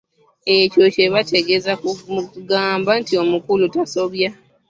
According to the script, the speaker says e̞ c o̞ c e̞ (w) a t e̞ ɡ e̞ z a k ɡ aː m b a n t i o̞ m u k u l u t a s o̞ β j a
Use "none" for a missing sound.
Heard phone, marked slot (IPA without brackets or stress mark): β